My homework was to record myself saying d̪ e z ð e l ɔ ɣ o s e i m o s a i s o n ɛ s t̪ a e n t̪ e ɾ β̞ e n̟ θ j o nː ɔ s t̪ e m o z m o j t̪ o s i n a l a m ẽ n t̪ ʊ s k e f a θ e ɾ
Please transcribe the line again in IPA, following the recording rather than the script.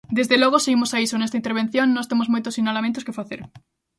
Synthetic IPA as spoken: d̪ e z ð e l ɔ ɣ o s e i m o s a i s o n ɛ s t̪ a i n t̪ e ɾ β̞ e n̟ θ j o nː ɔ s t̪ e m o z m o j t̪ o s i n a l a m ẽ n t̪ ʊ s k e f a θ e ɾ